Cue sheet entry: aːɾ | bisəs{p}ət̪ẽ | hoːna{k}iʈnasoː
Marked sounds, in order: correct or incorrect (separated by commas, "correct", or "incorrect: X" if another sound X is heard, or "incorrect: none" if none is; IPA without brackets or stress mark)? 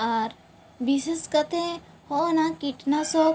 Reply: incorrect: k, correct